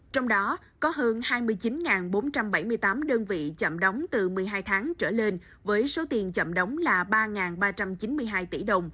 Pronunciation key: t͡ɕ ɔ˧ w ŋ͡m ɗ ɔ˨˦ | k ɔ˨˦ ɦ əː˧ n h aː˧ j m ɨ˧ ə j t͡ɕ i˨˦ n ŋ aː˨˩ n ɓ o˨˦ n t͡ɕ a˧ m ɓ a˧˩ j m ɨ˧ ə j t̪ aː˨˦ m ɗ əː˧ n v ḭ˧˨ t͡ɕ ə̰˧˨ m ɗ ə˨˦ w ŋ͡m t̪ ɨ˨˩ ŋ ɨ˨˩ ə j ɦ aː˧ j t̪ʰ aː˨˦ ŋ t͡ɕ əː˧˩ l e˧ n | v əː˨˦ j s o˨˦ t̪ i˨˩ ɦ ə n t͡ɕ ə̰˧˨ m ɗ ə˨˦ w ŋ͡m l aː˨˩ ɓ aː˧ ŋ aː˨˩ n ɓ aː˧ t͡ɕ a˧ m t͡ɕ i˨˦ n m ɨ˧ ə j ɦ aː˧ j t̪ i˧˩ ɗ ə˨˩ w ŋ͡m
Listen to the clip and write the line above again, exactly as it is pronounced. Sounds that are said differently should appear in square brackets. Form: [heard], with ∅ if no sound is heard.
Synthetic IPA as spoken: t͡ɕ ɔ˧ w ŋ͡m ɗ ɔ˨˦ | k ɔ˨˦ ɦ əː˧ n h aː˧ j m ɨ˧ ə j t͡ɕ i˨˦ n ŋ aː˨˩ n ɓ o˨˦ n t͡ɕ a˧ m ɓ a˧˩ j m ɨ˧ ə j t̪ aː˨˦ m ɗ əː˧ n v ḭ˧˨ t͡ɕ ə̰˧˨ m ɗ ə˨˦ w ŋ͡m t̪ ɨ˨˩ [m] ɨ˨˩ ə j ɦ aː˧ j t̪ʰ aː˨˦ ŋ t͡ɕ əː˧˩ l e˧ n | v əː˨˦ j s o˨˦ t̪ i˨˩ [∅] ə n t͡ɕ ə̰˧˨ m ɗ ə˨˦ w ŋ͡m l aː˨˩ ɓ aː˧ ŋ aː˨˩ n ɓ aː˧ t͡ɕ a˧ m t͡ɕ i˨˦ n m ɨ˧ ə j ɦ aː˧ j t̪ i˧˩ ɗ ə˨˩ w ŋ͡m